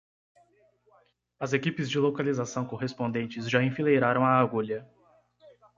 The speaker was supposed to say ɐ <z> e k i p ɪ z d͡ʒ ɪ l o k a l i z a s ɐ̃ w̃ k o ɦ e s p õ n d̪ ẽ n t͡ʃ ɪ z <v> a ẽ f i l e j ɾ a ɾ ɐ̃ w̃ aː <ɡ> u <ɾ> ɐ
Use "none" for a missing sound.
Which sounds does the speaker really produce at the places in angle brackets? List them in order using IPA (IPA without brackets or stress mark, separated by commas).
z, ʒ, ɡ, ʎ